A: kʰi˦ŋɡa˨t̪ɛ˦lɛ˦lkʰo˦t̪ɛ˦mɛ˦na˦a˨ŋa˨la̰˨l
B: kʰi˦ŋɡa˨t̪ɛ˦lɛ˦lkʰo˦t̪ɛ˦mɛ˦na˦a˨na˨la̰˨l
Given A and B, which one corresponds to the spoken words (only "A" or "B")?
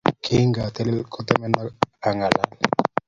A